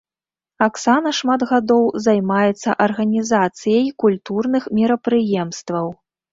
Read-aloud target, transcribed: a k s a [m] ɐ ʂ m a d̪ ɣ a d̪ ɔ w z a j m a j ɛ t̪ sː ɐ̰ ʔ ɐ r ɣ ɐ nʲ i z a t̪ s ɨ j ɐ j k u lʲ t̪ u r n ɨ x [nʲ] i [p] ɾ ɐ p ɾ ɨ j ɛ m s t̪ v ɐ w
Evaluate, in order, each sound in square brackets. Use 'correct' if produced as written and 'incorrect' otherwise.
incorrect: n, incorrect: mʲ, incorrect: none

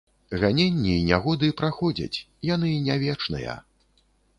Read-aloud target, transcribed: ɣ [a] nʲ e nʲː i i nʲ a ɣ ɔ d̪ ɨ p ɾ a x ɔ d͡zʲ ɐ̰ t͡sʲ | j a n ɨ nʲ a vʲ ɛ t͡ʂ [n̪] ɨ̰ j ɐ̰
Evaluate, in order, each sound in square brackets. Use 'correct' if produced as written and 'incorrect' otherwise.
correct, correct

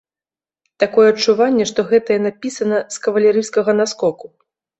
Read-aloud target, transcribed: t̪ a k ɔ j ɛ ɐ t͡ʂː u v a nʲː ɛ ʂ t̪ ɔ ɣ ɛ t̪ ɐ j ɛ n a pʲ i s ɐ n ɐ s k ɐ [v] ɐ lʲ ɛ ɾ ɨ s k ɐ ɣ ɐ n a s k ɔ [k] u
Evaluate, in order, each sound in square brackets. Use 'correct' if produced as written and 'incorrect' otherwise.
correct, correct

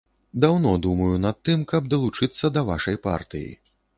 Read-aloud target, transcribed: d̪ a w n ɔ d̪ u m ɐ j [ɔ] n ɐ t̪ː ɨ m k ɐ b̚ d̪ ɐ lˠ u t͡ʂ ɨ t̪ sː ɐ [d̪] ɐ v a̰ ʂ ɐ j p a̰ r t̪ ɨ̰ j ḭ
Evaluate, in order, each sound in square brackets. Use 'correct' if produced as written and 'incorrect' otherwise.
incorrect: u, correct

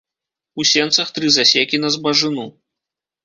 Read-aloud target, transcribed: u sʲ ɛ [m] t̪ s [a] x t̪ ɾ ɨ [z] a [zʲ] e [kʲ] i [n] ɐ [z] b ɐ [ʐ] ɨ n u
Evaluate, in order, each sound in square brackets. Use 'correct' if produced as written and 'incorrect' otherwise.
incorrect: n, incorrect: ɐ, correct, incorrect: sʲ, correct, correct, correct, correct

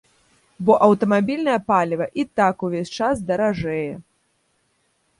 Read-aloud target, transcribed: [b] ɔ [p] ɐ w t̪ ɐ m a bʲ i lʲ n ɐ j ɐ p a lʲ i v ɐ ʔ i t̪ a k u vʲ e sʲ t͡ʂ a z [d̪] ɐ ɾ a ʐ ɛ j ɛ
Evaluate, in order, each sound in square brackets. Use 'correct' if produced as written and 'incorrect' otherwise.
correct, incorrect: ʔ, correct

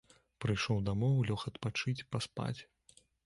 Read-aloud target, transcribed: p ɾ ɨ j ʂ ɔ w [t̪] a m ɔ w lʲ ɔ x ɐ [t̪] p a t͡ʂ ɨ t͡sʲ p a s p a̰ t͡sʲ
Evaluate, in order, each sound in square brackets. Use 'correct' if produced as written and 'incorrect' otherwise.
incorrect: d̪, correct

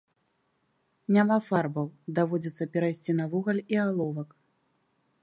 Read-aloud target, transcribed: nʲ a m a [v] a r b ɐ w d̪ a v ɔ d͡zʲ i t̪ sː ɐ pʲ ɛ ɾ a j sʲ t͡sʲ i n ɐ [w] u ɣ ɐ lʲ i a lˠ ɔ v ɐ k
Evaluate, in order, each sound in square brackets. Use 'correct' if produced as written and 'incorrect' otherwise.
incorrect: f, incorrect: v

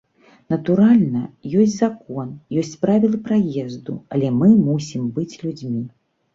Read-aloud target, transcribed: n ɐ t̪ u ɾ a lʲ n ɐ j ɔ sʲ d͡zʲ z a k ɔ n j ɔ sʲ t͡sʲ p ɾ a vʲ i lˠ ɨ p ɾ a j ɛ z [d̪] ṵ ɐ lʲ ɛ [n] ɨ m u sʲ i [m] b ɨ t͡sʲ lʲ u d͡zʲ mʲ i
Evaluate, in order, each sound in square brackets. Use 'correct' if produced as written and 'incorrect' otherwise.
correct, incorrect: m, correct

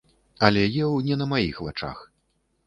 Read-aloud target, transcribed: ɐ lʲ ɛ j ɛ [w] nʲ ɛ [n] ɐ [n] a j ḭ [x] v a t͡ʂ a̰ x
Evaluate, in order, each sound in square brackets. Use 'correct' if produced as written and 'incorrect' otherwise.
correct, correct, incorrect: m, correct

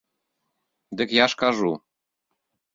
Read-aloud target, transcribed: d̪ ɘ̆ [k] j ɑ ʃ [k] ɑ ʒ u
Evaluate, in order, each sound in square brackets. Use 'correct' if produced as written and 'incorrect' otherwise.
correct, correct

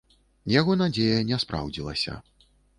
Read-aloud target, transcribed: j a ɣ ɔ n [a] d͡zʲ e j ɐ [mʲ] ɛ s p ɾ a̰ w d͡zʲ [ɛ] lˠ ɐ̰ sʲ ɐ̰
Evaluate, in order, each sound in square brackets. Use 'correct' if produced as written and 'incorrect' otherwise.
correct, incorrect: nʲ, incorrect: i

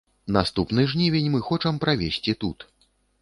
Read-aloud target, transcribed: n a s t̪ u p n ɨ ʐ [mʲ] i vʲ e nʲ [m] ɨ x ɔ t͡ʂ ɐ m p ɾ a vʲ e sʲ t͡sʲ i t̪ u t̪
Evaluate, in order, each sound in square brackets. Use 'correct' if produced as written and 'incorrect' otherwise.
incorrect: nʲ, correct

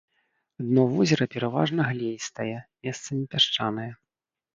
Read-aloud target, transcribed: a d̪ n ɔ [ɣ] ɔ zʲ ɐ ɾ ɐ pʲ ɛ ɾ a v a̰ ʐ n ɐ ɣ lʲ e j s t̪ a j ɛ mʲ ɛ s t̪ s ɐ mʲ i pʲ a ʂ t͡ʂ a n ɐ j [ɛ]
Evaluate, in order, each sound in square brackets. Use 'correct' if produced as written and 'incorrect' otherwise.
incorrect: v, correct

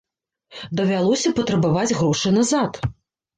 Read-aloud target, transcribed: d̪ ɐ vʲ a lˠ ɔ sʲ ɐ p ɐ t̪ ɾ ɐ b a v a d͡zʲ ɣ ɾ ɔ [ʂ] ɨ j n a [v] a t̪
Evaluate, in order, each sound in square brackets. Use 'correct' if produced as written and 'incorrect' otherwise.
correct, incorrect: z

